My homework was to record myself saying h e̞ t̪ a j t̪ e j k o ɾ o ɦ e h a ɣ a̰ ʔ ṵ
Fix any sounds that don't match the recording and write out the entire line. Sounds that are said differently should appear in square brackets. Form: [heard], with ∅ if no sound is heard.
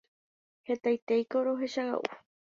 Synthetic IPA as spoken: h e̞ t̪ a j t̪ e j k o ɾ o ɦ e [ʃ] a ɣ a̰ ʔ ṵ

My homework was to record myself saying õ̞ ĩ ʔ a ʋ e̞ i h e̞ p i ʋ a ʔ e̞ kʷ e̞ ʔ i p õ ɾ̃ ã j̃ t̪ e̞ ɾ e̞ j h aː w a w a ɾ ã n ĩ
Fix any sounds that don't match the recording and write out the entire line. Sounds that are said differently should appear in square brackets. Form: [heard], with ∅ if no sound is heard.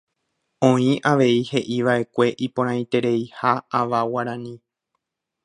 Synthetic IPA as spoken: õ̞ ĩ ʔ a ʋ e̞ i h e̞ [ʔ] i ʋ a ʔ e̞ kʷ e̞ ʔ i p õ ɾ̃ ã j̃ t̪ e̞ ɾ e̞ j h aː [ʋ] a w a ɾ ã n ĩ

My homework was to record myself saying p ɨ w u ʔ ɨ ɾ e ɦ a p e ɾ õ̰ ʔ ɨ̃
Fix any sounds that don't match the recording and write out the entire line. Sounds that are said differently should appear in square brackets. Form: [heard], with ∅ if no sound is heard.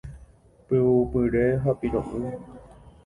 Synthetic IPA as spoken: p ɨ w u [p] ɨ ɾ e ɦ a p [i] ɾ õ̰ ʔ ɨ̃

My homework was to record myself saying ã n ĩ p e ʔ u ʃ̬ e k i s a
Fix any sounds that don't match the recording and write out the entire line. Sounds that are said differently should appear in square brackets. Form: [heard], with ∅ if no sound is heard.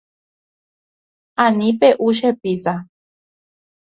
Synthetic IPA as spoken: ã n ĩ p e ʔ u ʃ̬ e [p] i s a

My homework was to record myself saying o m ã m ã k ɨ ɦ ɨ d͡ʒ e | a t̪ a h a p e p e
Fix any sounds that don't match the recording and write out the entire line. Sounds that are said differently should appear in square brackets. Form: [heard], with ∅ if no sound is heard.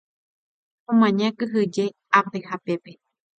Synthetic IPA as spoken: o m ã [ɲ] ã k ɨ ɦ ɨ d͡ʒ e | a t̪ [e] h a p e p e

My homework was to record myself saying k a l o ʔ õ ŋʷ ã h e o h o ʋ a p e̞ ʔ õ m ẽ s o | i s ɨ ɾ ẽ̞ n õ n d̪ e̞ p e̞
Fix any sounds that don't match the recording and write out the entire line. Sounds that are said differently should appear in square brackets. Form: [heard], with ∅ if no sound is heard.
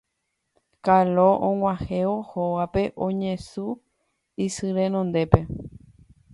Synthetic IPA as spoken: k a l o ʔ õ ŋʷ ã h e o h o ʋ a p e̞ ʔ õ [ɲ] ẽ s [u] | i s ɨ ɾ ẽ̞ n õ n d̪ e̞ p e̞

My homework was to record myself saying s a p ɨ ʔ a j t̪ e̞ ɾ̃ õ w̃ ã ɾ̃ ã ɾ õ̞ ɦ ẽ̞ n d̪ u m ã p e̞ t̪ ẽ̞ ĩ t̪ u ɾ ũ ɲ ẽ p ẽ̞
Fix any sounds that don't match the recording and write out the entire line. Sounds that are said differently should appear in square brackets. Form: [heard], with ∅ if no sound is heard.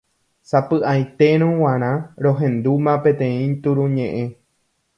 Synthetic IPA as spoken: s a p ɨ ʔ a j t̪ e̞ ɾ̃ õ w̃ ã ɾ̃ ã ɾ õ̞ ɦ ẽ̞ n d̪ u m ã p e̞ t̪ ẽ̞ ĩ t̪ u ɾ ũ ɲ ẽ [ʔ] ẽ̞

